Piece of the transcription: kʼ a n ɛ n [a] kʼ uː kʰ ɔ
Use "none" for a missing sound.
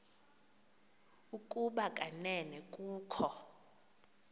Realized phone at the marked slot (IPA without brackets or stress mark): ɛ